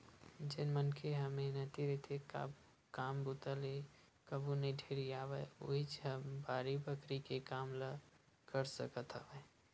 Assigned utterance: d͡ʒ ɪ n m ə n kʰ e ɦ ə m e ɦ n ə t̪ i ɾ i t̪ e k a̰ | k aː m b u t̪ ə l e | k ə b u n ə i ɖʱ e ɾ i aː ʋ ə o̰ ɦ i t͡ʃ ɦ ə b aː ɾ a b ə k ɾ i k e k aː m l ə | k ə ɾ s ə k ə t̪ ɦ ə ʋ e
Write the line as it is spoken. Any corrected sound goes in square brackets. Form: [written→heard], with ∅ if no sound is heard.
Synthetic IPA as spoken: d͡ʒ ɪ n m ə n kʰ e ɦ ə m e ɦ n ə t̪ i ɾ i t̪ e k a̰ | k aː m b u t̪ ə l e | k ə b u n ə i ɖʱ e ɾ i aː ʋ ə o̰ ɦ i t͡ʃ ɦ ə b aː ɾ [a→i] b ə k ɾ i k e k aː m l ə | k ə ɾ s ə k ə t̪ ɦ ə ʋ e